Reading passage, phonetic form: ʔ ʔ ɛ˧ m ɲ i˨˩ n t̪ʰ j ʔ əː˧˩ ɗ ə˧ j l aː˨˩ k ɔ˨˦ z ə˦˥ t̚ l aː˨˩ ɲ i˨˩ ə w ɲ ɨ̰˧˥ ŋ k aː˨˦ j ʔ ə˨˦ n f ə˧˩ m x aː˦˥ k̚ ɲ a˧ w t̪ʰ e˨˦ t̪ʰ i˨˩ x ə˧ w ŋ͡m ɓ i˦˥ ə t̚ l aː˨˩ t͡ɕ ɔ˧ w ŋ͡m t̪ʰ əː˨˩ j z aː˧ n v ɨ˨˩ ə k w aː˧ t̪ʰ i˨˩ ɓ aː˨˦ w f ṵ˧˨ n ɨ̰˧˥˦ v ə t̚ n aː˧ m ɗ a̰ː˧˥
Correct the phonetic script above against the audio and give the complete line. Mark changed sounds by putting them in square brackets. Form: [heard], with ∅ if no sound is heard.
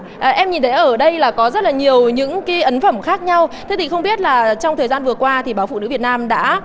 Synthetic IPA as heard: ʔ ʔ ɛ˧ m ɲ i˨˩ n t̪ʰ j ʔ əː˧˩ ɗ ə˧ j l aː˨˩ k ɔ˨˦ z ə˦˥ t̚ l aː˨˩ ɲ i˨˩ ə w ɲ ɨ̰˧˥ ŋ k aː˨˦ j ʔ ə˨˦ n f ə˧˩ m x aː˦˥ k̚ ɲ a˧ w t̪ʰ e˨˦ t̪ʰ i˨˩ x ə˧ w ŋ͡m ɓ i˦˥ ə t̚ l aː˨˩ t͡ɕ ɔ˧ w ŋ͡m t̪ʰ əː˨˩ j z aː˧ n v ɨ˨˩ ə k w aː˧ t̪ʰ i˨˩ ɓ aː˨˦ w f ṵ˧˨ n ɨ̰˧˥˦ v ə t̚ n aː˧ m ɗ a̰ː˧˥